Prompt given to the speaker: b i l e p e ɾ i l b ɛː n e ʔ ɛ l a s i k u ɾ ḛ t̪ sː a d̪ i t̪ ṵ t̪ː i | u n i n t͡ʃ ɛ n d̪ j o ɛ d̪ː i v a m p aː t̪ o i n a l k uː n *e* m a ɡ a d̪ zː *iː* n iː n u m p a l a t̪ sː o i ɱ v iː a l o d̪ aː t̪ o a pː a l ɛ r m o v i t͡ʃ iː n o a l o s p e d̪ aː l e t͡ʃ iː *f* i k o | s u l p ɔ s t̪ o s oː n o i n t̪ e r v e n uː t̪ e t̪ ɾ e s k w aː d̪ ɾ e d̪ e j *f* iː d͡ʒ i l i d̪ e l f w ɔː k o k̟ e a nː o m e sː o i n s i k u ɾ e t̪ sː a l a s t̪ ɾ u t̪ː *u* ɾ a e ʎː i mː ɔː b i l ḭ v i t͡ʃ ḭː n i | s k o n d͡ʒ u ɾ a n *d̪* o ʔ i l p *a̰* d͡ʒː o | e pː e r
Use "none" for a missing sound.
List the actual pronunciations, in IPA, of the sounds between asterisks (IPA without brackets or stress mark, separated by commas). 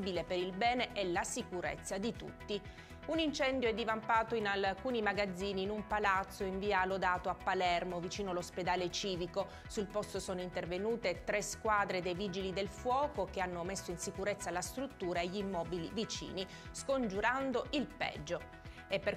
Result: i, iː, v, v, uː, d̪, ɛ̰